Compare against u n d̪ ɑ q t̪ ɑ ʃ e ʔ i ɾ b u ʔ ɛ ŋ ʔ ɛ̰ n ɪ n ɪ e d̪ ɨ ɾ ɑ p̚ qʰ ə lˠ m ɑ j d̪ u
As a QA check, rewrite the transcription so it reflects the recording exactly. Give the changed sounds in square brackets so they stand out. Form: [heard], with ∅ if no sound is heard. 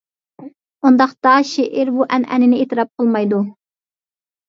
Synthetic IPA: u n d̪ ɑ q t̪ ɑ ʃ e ʔ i ɾ b u ʔ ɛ [n] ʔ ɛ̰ n ɪ n ɪ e [t̪] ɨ ɾ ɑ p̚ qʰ ə lˠ m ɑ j d̪ u